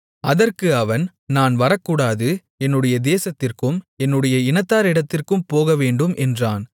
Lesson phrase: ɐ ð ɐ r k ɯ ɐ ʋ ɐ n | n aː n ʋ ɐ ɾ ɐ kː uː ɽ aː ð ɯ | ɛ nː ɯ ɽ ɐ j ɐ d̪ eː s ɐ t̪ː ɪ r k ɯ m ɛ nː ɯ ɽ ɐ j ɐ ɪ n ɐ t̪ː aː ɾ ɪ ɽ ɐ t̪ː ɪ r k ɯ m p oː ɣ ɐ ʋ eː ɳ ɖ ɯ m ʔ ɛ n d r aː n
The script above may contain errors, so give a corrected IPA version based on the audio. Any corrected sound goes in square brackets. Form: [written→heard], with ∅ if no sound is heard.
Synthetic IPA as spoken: ɐ ð ɐ r k ɯ ɐ ʋ ɐ n | n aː n ʋ ɐ ɾ ɐ kː uː ɽ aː ð ɯ | ɛ nː ɯ ɽ ɐ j ɐ d̪ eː s ɐ t̪ː ɪ r k ɯ m ɛ nː ɯ ɽ ɐ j ɐ ɪ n ɐ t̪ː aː ɾ ɪ ɽ ɐ t̪ː ɪ r k ɯ m p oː ɣ ɐ ʋ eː ɳ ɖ ɯ m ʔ ɛ n d r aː n